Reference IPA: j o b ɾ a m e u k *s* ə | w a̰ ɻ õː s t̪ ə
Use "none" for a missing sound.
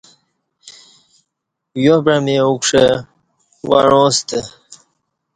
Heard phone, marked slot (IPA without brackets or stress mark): ʂ